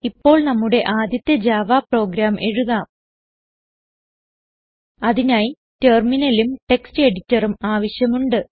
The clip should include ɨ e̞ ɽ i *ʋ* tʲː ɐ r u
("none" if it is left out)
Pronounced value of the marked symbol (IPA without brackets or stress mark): none